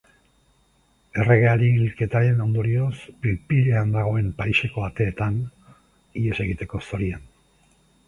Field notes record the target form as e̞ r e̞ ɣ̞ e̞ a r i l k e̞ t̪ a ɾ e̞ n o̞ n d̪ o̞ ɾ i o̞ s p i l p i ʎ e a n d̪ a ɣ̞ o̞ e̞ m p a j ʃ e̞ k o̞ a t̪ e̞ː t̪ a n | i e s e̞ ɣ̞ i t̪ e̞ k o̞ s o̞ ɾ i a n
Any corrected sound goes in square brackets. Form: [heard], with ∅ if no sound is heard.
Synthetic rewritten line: e̞ r e̞ ɣ̞ e̞ a [ɾ] i l k e̞ t̪ a ɾ e̞ n o̞ n d̪ o̞ ɾ i o̞ s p i l p i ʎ e a n d̪ a ɣ̞ o̞ e̞ m p a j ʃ e̞ k o̞ a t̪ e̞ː t̪ a n | i e s e̞ ɣ̞ i t̪ e̞ k o̞ s o̞ ɾ i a n